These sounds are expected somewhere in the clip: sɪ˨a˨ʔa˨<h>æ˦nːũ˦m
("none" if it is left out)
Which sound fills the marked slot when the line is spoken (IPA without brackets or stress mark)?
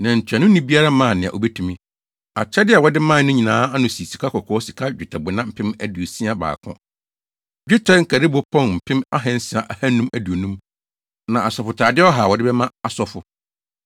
h